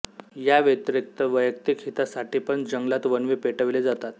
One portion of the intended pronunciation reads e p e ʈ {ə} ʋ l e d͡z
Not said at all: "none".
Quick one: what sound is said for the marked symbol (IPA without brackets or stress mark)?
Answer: ə